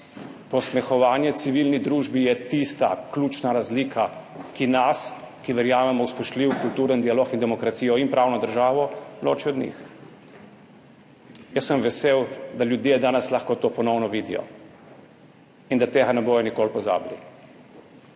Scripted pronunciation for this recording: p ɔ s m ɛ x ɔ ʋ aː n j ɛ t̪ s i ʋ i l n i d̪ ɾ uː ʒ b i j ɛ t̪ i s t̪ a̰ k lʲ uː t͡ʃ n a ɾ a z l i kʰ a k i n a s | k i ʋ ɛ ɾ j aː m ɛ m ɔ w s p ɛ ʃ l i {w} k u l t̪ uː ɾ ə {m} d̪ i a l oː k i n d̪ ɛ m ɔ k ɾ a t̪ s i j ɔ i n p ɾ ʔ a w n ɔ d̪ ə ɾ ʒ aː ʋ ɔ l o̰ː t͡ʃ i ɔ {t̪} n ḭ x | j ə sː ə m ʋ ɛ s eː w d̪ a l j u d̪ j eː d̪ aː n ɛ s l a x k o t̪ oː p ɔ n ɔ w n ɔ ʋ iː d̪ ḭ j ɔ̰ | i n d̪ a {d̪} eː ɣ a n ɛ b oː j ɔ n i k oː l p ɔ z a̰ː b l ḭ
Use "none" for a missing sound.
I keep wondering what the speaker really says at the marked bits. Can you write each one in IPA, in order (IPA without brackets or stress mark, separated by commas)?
w, n, d̪, t̪